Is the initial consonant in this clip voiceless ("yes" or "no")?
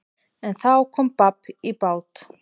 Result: no